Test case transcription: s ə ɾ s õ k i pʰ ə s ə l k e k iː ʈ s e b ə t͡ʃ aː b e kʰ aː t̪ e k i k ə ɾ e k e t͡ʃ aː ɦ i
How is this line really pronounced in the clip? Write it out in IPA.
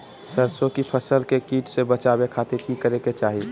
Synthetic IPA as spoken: s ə ɾ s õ k i pʰ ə s ə l k e k iː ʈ s e b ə t͡ʃ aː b e kʰ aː t̪ e k i k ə ɾ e k e t͡ʃ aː ɦ i